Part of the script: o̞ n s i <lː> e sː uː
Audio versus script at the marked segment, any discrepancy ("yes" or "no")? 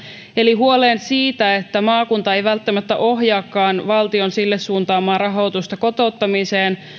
no